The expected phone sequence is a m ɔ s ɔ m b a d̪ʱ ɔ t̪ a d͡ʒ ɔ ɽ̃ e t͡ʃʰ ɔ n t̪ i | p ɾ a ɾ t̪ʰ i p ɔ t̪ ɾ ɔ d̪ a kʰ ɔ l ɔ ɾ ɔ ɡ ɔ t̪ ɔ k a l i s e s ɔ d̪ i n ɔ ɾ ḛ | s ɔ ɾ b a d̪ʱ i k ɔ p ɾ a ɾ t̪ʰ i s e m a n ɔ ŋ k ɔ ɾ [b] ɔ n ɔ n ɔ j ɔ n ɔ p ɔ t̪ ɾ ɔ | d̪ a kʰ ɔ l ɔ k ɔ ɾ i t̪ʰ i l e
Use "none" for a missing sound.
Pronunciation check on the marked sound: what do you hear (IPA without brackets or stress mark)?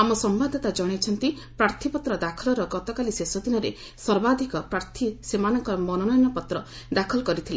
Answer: m